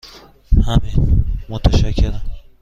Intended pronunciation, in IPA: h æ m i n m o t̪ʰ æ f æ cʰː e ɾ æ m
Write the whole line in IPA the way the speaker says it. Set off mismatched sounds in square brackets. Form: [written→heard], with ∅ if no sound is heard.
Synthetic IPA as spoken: h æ m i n m o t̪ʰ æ [f→ʃ] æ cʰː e ɾ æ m